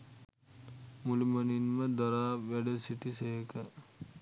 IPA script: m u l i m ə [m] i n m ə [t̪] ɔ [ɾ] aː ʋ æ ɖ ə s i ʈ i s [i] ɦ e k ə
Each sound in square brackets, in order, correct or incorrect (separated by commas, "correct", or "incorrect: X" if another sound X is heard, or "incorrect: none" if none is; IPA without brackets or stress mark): incorrect: n, incorrect: d̪, correct, incorrect: e